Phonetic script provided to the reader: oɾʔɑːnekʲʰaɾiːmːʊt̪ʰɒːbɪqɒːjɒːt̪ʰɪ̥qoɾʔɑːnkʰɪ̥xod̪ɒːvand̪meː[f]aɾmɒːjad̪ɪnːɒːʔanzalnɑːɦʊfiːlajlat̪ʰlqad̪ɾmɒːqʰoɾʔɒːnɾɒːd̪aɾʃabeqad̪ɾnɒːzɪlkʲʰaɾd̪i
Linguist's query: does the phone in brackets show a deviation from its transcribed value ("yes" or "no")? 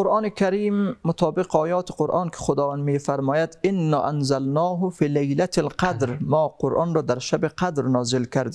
no